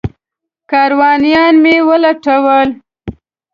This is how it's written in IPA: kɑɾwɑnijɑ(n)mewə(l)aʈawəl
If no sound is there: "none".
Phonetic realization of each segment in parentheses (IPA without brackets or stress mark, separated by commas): n, l